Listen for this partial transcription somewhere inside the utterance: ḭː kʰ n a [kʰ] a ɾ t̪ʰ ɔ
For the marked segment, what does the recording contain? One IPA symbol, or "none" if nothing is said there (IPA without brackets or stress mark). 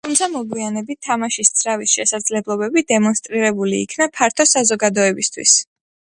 pʰ